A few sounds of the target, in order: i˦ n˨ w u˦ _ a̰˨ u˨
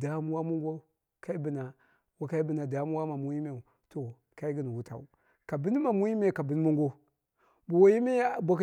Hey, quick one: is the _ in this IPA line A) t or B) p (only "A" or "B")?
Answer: A